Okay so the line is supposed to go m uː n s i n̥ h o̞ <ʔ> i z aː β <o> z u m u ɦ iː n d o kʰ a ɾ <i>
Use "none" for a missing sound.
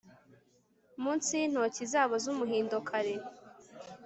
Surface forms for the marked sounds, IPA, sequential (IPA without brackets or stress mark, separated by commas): c, o, e